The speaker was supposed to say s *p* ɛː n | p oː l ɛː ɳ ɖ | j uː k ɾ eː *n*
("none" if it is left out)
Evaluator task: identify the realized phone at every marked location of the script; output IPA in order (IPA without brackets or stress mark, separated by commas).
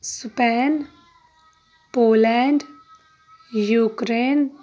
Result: p, n